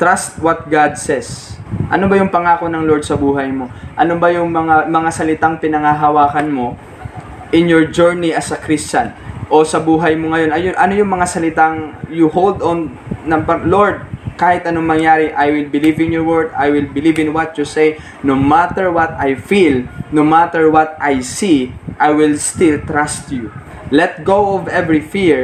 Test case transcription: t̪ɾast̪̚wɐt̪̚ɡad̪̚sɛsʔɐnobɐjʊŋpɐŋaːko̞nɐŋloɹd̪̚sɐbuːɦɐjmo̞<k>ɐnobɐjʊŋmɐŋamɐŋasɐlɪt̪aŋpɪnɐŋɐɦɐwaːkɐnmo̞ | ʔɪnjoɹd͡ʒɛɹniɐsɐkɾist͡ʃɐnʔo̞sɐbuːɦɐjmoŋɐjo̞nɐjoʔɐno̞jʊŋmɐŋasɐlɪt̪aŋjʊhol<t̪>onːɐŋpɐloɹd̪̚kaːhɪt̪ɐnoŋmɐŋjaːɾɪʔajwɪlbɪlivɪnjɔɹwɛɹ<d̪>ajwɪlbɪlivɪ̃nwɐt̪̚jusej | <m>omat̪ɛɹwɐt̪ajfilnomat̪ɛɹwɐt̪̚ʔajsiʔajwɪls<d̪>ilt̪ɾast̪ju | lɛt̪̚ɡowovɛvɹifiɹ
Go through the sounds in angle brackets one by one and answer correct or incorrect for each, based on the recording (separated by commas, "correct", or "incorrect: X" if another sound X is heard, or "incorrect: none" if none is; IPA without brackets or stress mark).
incorrect: ʔ, incorrect: d̪, correct, incorrect: n, incorrect: t̪